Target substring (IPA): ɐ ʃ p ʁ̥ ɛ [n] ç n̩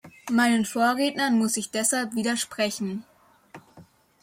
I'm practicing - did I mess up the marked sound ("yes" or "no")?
yes